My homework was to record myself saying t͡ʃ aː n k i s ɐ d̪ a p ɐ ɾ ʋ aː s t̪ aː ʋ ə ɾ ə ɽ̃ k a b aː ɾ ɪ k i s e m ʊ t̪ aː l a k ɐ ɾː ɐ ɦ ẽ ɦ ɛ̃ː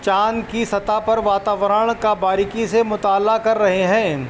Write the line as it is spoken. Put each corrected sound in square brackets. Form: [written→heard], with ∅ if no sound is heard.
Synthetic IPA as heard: t͡ʃ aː n k i s ɐ [d̪→t̪] a p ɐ ɾ ʋ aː [s→∅] t̪ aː ʋ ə ɾ ə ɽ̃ k a b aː ɾ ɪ k i s e m ʊ t̪ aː l a k ɐ ɾː ɐ ɦ [ẽ→e] ɦ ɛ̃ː